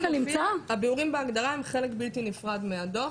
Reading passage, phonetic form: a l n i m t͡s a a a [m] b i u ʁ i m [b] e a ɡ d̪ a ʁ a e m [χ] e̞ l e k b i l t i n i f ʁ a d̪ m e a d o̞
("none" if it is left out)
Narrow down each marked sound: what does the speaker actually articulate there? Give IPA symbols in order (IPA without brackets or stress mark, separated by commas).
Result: none, b, χ